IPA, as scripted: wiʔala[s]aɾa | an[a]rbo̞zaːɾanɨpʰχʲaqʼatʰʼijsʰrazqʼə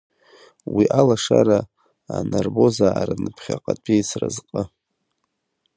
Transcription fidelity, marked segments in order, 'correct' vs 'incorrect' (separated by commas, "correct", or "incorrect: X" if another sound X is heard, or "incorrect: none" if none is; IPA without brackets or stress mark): incorrect: ʂ, correct